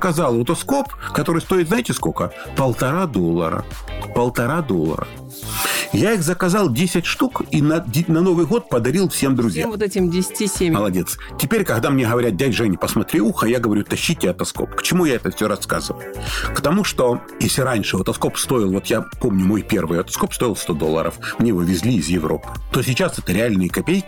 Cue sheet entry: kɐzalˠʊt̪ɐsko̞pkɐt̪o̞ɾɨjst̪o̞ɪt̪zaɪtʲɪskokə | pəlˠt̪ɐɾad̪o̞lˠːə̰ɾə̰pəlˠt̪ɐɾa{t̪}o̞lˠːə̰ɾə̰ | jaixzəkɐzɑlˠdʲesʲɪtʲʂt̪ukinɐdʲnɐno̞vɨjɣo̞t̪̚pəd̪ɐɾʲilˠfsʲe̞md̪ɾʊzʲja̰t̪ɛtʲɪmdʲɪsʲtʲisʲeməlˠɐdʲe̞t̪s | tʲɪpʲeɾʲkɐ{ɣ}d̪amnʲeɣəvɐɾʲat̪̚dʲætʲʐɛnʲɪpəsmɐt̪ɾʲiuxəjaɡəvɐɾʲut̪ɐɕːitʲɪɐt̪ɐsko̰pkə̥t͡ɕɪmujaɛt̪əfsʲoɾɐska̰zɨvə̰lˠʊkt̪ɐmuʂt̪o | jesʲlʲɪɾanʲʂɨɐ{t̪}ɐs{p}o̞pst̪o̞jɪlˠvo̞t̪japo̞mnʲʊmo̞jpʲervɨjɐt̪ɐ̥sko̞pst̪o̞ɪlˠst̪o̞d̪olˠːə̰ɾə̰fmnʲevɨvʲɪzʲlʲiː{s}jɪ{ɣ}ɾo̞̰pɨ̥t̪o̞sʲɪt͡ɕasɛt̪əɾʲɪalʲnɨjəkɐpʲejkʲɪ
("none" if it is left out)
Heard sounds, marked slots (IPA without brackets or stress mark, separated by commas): d̪, ɣ, t̪, k, z, v